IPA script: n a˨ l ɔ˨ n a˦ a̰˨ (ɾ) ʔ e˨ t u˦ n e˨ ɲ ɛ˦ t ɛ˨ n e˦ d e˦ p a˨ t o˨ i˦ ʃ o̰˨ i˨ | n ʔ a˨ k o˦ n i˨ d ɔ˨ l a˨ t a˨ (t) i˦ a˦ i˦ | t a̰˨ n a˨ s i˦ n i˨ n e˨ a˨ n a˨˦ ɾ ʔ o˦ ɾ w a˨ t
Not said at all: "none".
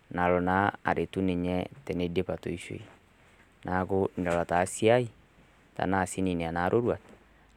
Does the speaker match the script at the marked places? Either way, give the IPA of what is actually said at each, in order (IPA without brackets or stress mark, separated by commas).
ɾ, s